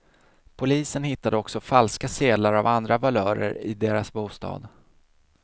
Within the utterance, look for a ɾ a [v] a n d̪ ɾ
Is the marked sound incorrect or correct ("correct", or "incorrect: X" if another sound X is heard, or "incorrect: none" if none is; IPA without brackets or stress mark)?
correct